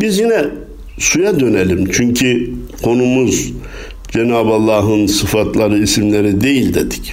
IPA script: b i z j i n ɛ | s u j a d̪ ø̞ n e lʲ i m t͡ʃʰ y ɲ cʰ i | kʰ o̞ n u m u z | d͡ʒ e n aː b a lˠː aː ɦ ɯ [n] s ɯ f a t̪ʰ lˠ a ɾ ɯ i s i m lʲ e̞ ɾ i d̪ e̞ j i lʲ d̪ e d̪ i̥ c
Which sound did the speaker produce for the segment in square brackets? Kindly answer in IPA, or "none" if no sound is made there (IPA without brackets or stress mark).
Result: n